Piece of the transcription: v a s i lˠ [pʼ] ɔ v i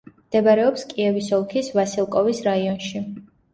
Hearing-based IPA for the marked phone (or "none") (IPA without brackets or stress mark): kʼ